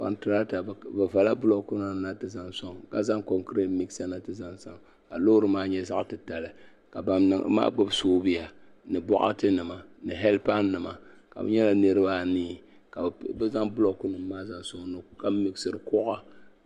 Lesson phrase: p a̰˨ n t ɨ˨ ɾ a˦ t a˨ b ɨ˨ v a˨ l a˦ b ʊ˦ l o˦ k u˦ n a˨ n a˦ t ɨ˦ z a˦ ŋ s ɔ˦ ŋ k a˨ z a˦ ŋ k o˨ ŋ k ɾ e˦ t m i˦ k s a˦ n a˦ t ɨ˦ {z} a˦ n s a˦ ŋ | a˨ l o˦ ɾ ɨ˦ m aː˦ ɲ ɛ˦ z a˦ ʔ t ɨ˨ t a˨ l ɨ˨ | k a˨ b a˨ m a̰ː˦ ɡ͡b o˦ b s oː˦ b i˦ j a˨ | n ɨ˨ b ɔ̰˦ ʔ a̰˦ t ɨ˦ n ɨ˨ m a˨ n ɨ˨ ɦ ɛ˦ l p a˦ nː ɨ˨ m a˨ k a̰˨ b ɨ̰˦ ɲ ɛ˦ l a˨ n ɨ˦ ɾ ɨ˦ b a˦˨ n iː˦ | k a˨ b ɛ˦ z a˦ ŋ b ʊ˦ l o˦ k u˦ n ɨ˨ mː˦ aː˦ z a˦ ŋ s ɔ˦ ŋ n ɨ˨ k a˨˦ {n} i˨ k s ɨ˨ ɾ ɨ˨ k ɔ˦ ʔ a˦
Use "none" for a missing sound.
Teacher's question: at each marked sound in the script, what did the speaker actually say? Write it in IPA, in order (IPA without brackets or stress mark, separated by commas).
z, m